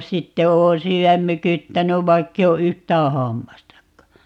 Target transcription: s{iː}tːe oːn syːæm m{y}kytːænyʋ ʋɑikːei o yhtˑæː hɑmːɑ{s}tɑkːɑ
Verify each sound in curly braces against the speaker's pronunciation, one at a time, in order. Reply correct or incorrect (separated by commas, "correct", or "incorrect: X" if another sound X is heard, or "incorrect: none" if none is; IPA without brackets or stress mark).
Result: incorrect: i, correct, correct